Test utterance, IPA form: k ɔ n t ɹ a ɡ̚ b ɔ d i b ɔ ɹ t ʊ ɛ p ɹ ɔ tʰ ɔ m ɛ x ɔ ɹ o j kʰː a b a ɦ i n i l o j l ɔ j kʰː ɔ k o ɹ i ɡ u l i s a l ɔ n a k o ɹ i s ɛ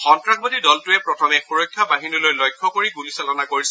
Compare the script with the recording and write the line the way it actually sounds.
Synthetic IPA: x ɔ n t ɹ a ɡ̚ b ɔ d i d ɔ l t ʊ ɛ p ɹ ɔ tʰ ɔ m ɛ x u ɹ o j kʰː a b a ɦ i n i l o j l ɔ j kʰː ɔ k o ɹ i ɡ u l i s a l ɔ n a k o ɹ i s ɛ

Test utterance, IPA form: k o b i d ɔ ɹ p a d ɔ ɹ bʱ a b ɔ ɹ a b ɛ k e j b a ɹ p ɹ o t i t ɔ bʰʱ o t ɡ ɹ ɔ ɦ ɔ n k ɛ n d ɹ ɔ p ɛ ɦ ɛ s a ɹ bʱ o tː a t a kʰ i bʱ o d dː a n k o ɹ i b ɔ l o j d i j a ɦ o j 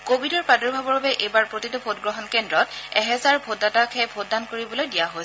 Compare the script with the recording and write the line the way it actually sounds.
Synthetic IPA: k o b i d ɔ ɹ p a d ɔ ɹ bʱ a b ɔ ɹ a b ɛ ʔ e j b a ɹ p ɹ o t i t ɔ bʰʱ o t ɡ ɹ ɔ ɦ ɔ n k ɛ n d ɹ ɔ t ɛ ɦ ɛ z a ɹ bʱ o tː a t a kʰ ɛ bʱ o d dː a n k o ɹ i b ɔ l o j d i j a ɦ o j

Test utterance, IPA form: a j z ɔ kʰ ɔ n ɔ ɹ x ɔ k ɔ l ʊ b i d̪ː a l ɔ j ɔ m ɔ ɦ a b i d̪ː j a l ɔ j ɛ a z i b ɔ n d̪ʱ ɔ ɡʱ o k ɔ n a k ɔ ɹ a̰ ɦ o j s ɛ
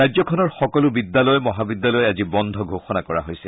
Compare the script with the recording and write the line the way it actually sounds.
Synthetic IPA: a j z ɔ kʰ ɔ n ɔ ɹ x ɔ k ɔ l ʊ b i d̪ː a l ɔ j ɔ m ɔ ɦ a b i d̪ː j a l ɔ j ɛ a z i b ɔ n d̪ʱ ɔ ɡʱ o x ɔ n a k ɔ ɹ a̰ ɦ o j s ɛ

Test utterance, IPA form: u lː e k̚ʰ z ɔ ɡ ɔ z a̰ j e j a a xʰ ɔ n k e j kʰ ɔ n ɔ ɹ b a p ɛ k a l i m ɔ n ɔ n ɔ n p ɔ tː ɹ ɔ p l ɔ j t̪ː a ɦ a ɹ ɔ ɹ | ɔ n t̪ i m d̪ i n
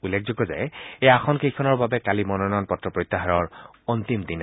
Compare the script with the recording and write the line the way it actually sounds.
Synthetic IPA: u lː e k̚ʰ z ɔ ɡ ɔ z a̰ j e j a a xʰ ɔ n k e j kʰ ɔ n ɔ ɹ b a b ɛ k a l i m ɔ n ɔ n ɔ n p ɔ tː ɹ ɔ p ɹ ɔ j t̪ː a ɦ a ɹ ɔ ɹ | ɔ n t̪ i m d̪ i n

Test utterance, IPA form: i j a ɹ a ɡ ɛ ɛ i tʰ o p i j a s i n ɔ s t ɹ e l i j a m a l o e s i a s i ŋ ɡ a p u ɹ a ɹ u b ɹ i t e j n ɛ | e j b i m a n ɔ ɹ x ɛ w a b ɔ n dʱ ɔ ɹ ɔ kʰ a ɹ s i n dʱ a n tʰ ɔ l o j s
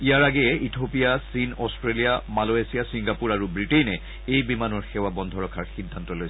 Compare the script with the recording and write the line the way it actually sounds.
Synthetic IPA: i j a ɹ a ɡ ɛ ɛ i tʰ o p i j a s i n ɔ s t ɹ e l i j a m a l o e s i a s i ŋ ɡ a p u ɹ a ɹ u b ɹ i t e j n ɛ | e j b i m a n ɔ ɹ x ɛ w a b ɔ n dʱ ɔ ɹ ɔ kʰ a ɹ x i n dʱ a n t ɔ l o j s

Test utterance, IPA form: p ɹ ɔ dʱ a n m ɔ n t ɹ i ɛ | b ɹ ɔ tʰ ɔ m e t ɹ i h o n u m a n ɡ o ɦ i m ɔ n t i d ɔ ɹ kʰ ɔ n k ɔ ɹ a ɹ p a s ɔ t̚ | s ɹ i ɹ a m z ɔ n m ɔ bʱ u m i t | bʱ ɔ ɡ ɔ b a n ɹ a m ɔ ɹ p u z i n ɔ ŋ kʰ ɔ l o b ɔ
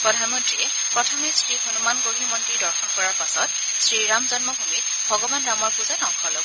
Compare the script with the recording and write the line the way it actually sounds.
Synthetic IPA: p ɹ ɔ dʱ a n m ɔ n t ɹ i ɛ | p ɹ ɔ tʰ ɔ m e s ɹ i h o n u m a n ɡ o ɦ i m ɔ n t i d ɔ ɹ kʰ ɔ n k ɔ ɹ a ɹ p a s ɔ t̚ | s ɹ i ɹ a m z ɔ n m ɔ bʱ u m i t | bʱ ɔ ɡ ɔ b a n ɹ a m ɔ ɹ p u z a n ɔ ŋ kʰ ɔ l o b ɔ

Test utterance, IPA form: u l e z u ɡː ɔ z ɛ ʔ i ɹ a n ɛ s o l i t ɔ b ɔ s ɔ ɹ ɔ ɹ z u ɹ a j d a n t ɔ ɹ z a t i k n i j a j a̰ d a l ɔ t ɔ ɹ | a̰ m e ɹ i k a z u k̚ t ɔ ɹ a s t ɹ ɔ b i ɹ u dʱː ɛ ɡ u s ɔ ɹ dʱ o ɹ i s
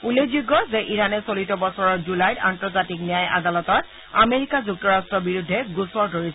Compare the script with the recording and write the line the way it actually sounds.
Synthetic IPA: u l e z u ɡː ɔ z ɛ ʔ i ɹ a n ɛ s o l i t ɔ b ɔ s ɔ ɹ ɔ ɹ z u l a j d a n t ɔ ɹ z a t i k n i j a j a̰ d a l ɔ t ɔ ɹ | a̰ m e ɹ i k a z u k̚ t ɔ ɹ a s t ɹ ɔ b i ɹ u dʱː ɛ ɡ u s ɔ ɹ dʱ o ɹ i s

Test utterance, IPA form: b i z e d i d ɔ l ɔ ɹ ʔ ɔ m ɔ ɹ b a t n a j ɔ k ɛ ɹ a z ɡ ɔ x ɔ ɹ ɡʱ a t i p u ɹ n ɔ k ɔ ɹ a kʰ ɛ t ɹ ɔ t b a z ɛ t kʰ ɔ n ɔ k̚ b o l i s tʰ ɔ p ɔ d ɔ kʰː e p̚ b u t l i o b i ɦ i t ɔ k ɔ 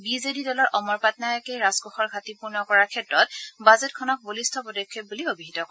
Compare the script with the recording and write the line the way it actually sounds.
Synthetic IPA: b i z e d i d ɔ l ɔ ɹ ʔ ɔ m ɔ ɹ p a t n a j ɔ k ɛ ɹ a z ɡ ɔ x ɔ ɹ ɡʱ a t i p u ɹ n ɔ k ɔ ɹ a kʰ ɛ t ɹ ɔ t b a z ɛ t kʰ ɔ n ɔ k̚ b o l i s tʰ ɔ p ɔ d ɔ kʰː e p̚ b u l i o b i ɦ i t ɔ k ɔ

